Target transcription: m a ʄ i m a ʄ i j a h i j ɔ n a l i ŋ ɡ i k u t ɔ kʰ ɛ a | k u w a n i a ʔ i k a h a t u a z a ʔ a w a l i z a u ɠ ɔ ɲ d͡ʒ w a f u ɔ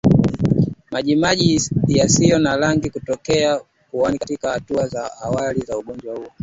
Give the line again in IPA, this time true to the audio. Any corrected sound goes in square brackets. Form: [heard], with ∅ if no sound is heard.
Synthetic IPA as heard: m a ʄ i m a ʄ i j a [s] i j ɔ n a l [a] ŋ ɡ i k u t ɔ [k] ɛ a | k u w a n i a [t] i k a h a t u a z a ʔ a w a l i z a u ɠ ɔ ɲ d͡ʒ w a [h] u ɔ